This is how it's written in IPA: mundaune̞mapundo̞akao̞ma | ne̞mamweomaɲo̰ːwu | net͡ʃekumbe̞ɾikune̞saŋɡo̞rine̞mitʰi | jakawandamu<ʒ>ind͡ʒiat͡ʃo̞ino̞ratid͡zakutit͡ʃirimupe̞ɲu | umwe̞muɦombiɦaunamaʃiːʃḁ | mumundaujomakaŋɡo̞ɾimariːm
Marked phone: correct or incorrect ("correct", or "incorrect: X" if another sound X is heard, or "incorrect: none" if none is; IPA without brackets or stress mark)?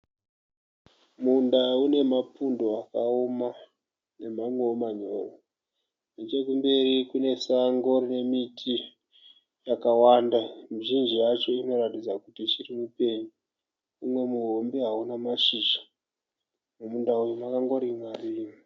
correct